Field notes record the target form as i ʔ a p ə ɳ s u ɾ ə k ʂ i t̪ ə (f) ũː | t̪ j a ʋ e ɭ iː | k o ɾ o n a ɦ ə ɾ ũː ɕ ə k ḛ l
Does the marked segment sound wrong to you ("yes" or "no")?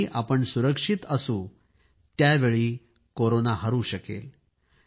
yes